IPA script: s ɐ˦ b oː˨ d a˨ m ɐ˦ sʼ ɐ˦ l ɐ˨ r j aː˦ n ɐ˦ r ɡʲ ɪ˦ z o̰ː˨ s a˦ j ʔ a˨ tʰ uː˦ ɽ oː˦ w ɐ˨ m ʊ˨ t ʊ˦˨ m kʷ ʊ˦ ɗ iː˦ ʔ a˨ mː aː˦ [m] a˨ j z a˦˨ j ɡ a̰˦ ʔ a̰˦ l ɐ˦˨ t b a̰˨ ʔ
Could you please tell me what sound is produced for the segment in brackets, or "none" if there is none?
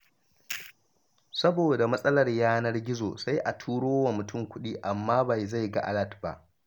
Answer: b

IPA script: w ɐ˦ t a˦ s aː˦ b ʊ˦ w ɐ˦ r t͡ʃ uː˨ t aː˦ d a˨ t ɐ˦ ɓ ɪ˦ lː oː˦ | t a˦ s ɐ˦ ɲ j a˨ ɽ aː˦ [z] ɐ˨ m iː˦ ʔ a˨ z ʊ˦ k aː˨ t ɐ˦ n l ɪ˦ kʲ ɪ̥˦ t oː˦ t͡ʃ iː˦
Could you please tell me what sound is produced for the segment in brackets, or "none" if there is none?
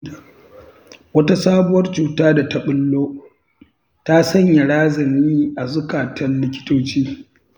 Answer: z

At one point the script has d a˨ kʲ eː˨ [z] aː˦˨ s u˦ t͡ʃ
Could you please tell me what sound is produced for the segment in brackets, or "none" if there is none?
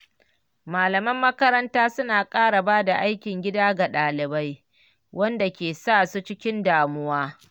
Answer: s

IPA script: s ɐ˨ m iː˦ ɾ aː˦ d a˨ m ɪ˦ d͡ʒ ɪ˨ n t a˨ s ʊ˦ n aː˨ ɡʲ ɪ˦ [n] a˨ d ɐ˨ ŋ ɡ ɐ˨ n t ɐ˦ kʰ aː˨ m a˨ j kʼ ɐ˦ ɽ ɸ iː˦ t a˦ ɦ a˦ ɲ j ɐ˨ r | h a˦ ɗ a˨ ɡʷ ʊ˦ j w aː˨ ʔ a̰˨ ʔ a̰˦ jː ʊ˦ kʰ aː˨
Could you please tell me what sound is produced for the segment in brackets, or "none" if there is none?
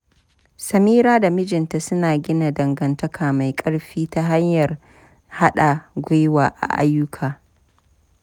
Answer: n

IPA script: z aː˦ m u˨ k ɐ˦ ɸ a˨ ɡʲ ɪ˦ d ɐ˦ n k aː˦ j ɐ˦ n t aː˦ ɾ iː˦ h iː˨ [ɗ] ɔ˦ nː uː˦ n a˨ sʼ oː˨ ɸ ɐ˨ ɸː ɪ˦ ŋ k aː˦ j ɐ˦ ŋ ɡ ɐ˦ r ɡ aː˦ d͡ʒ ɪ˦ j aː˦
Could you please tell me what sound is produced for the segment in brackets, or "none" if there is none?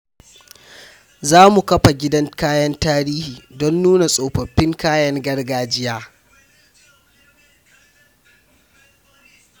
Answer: d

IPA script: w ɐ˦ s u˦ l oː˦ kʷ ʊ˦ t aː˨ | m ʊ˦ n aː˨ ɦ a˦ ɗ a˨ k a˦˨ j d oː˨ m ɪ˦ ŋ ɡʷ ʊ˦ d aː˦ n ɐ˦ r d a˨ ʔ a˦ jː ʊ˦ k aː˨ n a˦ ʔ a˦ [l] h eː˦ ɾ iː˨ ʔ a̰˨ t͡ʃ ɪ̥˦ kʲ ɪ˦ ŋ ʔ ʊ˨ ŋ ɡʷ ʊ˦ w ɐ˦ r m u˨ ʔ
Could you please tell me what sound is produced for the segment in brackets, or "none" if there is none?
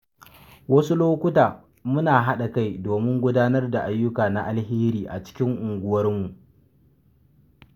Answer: l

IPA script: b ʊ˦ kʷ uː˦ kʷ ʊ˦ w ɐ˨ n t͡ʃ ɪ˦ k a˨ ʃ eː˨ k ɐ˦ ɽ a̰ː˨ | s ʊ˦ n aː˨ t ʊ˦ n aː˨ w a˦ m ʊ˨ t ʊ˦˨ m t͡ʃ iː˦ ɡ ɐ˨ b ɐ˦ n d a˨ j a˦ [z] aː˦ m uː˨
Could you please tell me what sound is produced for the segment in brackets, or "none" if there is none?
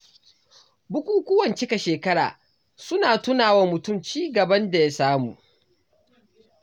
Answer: s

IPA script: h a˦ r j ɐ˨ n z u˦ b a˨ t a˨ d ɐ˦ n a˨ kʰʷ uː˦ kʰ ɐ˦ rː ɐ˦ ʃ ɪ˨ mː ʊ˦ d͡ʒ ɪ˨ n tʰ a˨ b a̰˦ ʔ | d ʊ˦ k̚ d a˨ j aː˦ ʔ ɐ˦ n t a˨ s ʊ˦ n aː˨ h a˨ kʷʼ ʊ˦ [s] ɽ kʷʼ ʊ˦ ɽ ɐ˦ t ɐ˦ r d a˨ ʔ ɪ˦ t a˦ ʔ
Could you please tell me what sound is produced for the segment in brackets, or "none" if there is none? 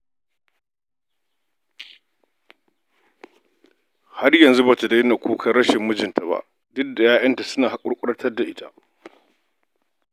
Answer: none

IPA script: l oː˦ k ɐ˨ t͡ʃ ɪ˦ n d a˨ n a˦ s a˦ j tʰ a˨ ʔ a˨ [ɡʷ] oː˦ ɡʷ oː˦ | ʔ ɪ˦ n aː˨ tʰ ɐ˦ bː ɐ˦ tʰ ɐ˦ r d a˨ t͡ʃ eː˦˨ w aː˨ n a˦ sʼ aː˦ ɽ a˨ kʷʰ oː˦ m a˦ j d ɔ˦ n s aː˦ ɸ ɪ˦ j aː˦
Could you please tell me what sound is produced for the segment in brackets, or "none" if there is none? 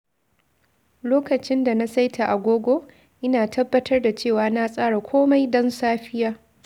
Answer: ɡʷ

